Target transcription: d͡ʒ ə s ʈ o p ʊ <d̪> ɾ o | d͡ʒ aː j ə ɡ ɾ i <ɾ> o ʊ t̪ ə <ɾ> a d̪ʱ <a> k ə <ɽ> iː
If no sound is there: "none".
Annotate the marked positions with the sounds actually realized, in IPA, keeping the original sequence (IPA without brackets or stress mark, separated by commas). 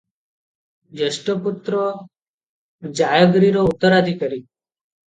t̪, ɾ, ɾ, i, ɾ